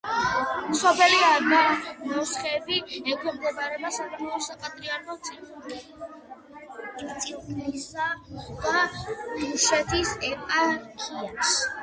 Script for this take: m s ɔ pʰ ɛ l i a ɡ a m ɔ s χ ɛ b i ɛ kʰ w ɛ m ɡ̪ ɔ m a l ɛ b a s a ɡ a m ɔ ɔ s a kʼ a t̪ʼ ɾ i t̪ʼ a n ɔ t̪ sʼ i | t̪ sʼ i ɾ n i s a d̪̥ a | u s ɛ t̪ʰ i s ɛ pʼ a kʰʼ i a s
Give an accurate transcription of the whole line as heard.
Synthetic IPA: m s ɔ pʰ ɛ l i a ɡ a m ɔ s χ ɛ b i ɛ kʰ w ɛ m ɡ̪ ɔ b a ɾ ɛ b a s a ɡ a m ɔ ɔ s a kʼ a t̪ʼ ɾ i a n ɔ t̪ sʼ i | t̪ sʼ i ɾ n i s a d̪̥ a | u ʃ ɛ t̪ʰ i s ɛ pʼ a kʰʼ i a s